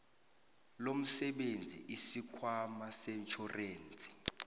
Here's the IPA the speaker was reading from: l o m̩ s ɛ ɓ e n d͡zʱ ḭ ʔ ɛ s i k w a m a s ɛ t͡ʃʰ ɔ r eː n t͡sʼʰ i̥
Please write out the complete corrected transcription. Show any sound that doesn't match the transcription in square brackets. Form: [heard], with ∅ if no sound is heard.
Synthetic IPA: l o m̩ s ɛ ɓ e n d͡zʱ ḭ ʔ [i] s i [kʰ] w a m a s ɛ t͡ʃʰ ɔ r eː n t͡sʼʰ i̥